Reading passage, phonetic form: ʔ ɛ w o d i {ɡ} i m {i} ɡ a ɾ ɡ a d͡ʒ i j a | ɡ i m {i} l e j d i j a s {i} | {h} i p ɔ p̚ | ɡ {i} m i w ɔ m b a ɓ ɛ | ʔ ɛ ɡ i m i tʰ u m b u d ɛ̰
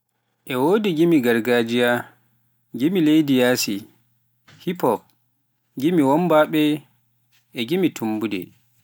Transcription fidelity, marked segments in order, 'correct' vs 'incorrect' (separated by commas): correct, correct, correct, correct, correct, correct